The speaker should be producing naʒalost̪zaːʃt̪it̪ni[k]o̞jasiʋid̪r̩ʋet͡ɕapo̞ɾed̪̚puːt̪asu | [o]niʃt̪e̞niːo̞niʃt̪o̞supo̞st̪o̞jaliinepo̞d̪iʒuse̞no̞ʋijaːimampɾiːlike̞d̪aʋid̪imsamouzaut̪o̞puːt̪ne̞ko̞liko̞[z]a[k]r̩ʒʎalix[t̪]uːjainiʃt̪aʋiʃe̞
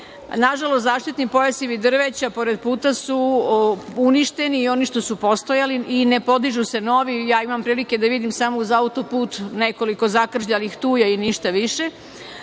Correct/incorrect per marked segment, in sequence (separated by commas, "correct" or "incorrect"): incorrect, incorrect, correct, correct, correct